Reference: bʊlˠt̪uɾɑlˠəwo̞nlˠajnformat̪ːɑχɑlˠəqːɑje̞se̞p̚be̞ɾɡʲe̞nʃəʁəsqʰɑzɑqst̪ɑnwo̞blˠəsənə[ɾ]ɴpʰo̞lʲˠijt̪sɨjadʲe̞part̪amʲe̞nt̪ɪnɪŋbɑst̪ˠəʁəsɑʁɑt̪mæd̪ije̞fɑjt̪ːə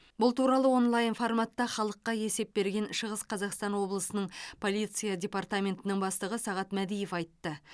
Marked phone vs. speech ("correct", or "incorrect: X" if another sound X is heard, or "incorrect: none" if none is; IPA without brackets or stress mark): incorrect: none